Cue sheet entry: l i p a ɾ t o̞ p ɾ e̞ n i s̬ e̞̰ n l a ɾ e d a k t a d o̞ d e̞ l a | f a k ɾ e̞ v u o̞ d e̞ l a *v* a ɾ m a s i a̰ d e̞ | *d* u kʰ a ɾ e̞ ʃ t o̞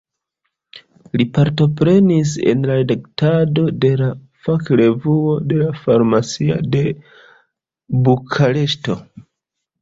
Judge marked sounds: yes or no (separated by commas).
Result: no, no